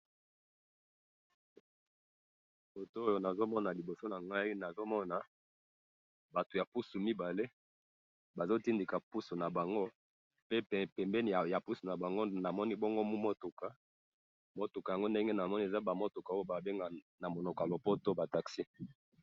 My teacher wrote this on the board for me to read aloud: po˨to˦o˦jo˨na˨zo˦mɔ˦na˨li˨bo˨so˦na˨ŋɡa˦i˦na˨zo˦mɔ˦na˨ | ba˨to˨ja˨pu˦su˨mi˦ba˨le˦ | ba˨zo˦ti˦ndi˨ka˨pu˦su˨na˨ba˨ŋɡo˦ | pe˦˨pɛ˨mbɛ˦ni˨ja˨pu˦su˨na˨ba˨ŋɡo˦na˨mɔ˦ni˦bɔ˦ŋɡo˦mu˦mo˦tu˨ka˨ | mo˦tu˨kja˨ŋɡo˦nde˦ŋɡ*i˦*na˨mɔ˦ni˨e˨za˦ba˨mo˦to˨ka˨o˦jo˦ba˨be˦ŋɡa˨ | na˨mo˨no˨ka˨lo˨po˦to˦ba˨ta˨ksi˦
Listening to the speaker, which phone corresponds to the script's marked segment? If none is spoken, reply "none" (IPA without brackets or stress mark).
e˦